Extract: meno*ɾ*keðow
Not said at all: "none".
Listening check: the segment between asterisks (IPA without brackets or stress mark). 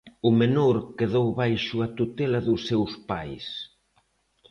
ɾ